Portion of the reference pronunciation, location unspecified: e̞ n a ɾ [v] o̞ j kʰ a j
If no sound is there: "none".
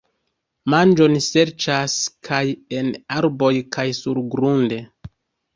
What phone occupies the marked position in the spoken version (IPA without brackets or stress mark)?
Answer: b